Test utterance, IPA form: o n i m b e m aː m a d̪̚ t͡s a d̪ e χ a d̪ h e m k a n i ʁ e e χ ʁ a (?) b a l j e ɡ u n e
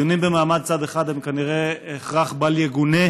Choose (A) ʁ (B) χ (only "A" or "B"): B